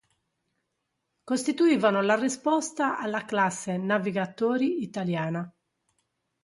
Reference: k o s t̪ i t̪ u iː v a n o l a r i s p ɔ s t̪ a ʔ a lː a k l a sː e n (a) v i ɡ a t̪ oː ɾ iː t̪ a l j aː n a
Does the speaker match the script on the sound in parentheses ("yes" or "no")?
yes